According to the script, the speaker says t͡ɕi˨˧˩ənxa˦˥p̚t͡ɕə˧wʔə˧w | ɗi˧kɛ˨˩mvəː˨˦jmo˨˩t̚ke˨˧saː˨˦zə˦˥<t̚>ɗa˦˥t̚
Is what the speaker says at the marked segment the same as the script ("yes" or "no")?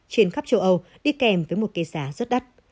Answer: yes